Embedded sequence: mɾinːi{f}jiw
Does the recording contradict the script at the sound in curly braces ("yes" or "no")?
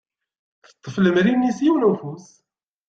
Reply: yes